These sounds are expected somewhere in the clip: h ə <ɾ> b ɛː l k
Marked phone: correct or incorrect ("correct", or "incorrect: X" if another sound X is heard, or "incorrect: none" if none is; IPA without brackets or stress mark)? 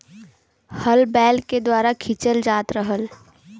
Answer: incorrect: l